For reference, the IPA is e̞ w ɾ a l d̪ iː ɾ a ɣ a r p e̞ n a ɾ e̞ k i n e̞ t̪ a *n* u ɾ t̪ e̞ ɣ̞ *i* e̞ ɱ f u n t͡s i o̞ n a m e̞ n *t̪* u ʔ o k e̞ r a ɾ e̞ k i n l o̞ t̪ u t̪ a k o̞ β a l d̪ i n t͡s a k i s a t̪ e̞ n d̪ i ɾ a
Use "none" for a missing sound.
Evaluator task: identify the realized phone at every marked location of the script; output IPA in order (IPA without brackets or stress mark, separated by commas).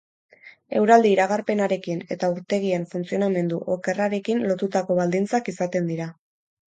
none, i, d̪